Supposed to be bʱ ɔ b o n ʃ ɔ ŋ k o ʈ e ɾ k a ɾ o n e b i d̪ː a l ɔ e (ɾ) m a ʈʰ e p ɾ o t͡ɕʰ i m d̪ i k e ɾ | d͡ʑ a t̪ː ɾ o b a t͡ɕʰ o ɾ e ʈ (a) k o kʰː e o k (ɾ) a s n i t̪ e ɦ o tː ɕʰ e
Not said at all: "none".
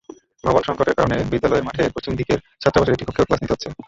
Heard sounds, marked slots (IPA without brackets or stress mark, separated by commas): ɾ, i, l